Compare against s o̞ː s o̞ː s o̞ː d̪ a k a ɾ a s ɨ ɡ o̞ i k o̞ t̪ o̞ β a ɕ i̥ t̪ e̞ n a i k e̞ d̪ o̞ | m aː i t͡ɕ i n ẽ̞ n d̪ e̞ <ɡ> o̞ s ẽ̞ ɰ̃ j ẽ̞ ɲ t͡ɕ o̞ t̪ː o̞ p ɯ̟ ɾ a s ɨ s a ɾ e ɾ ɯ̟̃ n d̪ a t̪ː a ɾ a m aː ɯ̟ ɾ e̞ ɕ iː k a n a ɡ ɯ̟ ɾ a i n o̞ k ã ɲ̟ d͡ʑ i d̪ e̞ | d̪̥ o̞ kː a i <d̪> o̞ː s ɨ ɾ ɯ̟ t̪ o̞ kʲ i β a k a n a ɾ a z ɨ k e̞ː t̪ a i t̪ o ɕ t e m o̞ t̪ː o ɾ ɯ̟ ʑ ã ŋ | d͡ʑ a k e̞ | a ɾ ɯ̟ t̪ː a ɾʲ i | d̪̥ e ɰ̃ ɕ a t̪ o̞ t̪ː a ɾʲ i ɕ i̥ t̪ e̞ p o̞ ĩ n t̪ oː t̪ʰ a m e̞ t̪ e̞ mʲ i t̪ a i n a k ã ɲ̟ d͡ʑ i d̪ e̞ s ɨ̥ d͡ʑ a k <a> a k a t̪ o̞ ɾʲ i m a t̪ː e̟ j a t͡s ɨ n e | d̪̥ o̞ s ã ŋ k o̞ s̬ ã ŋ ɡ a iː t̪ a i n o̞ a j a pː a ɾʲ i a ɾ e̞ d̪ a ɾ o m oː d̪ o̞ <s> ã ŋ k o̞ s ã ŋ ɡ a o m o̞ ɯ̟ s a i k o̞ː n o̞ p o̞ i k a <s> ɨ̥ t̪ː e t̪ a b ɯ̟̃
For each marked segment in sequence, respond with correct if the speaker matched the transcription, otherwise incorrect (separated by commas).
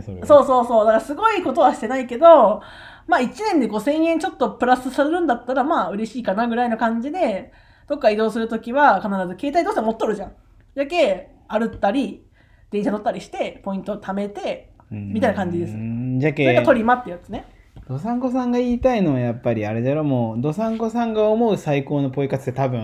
correct, correct, incorrect, correct, incorrect